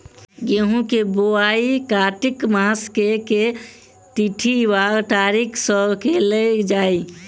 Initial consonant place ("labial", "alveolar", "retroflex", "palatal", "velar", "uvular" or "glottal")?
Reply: velar